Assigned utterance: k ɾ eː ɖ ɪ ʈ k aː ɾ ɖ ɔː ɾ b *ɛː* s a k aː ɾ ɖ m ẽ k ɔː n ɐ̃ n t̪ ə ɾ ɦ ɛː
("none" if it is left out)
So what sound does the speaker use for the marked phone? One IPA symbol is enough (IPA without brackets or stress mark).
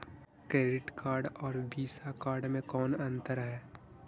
iː